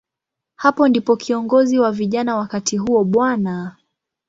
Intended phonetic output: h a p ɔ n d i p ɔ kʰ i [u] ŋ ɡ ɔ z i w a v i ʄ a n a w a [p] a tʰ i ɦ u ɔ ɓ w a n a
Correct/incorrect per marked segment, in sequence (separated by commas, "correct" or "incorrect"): incorrect, incorrect